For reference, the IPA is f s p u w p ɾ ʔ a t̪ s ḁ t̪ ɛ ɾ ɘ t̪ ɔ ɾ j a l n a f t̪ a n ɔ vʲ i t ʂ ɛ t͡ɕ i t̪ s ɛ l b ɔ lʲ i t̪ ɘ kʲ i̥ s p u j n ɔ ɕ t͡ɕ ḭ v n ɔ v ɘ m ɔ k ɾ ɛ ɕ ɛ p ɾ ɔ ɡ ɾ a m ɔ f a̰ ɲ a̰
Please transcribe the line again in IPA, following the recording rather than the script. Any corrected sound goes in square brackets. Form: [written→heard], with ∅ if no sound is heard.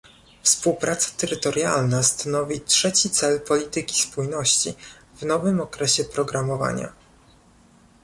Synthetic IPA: f s p u w p ɾ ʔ a t̪ s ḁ t̪ ɛ ɾ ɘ t̪ ɔ ɾ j a l n a [f→s] t̪ a n ɔ vʲ i t ʂ ɛ t͡ɕ i t̪ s ɛ l [b→p] ɔ lʲ i t̪ ɘ kʲ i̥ s p u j n ɔ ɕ t͡ɕ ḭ v n ɔ v ɘ m ɔ k ɾ ɛ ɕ ɛ p ɾ ɔ ɡ ɾ a m ɔ [f→v] a̰ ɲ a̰